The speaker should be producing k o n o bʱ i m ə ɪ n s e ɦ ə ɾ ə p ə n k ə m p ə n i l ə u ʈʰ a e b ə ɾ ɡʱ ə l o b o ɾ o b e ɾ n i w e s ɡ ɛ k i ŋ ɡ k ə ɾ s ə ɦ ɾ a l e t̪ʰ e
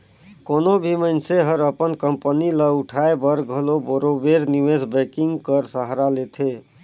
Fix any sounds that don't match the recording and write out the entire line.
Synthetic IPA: k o n o bʱ i m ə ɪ n s e ɦ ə ɾ ə p ə n k ə m p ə n i l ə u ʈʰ a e b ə ɾ ɡʱ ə l o b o ɾ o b e ɾ n i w e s b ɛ k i ŋ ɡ k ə ɾ s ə ɦ ɾ a l e t̪ʰ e